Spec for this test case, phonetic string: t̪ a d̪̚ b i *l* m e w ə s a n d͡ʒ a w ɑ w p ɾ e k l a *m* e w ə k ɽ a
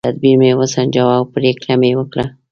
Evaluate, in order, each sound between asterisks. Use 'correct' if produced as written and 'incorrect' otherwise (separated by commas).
incorrect, correct